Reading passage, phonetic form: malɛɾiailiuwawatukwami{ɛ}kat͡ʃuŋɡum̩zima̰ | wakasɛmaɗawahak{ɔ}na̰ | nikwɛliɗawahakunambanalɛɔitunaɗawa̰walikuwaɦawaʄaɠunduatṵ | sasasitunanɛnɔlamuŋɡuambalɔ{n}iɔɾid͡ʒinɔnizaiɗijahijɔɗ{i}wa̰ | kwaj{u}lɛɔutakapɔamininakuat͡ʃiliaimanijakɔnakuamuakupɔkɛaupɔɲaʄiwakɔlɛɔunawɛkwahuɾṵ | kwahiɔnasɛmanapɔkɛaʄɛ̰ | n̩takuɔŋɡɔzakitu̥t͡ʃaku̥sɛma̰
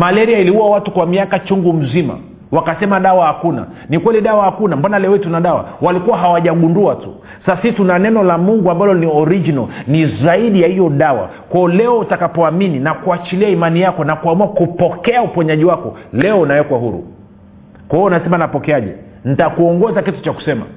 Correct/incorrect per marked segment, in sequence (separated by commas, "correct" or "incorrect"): incorrect, incorrect, correct, incorrect, incorrect